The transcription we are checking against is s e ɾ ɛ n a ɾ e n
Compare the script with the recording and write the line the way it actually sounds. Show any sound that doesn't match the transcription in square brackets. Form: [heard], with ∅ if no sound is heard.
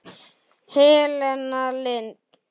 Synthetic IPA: [h] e [l] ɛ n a [l] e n